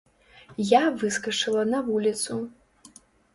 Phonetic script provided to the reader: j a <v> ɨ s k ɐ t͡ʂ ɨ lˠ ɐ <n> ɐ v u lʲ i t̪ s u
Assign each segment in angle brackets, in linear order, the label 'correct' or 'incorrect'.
correct, correct

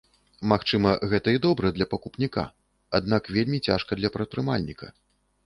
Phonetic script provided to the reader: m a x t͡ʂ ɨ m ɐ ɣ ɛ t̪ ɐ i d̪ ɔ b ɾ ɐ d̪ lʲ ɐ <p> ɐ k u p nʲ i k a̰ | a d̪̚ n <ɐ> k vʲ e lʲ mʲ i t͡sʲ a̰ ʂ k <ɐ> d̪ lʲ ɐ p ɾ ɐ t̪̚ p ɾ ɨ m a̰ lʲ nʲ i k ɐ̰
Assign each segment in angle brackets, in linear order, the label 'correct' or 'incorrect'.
correct, incorrect, correct

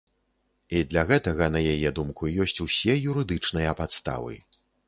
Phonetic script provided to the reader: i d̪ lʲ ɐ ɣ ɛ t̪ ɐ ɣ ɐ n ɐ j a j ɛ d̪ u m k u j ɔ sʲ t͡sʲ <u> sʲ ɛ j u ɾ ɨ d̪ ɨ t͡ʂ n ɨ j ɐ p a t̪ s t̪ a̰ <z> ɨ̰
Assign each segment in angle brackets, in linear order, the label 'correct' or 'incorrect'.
correct, incorrect

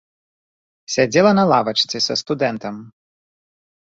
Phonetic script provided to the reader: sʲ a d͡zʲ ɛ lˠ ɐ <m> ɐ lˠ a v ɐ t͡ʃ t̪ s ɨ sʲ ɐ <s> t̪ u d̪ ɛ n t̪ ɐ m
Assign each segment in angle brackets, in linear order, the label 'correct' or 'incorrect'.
incorrect, correct

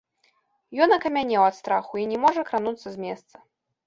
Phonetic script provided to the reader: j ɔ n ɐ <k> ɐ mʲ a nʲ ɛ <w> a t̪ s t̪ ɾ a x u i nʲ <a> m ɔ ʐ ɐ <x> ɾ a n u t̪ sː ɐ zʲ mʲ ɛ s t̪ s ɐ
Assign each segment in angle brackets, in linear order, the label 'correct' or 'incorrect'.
correct, correct, incorrect, incorrect

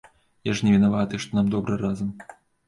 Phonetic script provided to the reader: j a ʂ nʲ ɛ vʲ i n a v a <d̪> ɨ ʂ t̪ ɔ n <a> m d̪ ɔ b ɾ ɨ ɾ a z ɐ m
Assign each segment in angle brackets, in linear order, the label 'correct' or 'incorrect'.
incorrect, correct

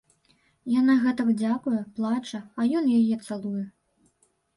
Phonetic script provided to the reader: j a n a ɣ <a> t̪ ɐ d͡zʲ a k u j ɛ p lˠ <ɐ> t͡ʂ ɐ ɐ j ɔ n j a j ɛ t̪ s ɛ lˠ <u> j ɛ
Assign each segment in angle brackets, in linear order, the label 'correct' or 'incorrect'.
incorrect, incorrect, correct

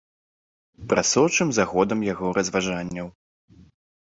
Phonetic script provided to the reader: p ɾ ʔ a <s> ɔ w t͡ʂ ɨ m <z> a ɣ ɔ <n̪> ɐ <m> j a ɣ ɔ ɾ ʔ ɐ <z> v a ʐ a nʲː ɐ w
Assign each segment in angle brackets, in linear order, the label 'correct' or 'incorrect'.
correct, correct, incorrect, correct, correct

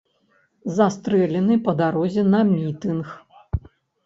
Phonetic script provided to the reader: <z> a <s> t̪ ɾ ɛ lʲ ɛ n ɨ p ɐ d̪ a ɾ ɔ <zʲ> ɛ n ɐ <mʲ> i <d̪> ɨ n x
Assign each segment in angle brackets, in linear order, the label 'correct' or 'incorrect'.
correct, correct, correct, correct, incorrect

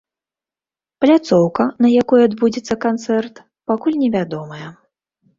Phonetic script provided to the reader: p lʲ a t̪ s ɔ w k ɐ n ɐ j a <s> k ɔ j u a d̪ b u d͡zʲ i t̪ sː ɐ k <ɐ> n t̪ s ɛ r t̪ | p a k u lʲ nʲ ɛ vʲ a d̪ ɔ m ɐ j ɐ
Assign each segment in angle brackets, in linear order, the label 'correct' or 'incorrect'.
incorrect, incorrect

